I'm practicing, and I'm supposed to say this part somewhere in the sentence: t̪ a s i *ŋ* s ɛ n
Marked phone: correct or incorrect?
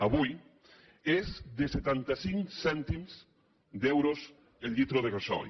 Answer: correct